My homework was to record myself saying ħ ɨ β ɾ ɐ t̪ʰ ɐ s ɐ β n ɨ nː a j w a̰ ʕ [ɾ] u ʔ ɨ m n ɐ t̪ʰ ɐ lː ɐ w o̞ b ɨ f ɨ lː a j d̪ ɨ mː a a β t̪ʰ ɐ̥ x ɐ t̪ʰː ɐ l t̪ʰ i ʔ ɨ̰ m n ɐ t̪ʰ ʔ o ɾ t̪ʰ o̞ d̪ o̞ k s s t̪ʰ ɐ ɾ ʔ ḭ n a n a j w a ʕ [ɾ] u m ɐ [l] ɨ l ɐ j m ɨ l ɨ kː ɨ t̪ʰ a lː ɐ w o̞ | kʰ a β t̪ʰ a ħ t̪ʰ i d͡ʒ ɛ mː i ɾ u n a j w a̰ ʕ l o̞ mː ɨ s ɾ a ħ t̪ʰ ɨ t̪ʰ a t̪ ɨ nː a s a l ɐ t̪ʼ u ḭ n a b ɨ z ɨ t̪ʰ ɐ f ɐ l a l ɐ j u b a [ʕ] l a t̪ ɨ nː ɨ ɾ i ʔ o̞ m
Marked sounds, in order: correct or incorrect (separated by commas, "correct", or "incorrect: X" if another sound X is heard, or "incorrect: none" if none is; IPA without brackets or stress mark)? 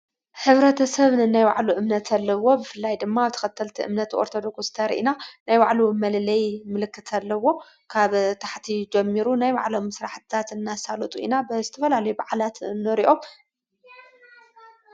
incorrect: l, incorrect: l, correct, correct